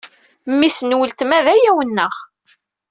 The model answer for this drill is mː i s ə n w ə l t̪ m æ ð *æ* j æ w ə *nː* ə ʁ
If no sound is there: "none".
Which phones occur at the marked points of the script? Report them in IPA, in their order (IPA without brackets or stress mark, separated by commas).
æ, nː